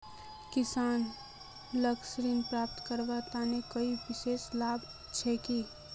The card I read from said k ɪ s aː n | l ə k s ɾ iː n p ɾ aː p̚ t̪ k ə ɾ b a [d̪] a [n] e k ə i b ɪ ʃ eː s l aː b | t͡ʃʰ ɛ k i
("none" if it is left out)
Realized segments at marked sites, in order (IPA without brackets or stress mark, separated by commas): t̪, n